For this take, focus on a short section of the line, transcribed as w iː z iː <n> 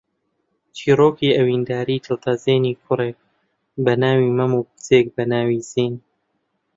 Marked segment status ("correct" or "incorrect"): correct